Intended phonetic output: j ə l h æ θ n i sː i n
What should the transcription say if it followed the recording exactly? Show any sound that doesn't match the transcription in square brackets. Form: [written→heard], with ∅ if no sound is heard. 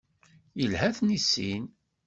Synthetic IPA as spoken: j ə l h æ θ n i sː i n